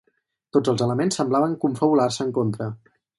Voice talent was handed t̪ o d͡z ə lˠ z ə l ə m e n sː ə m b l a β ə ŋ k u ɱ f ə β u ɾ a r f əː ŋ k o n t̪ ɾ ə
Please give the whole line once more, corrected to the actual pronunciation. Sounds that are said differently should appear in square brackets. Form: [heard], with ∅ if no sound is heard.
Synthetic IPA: t̪ o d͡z ə lˠ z ə l ə m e n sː ə m b l a β ə ŋ k u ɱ f ə β u [l] a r [s] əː ŋ k o n t̪ ɾ ə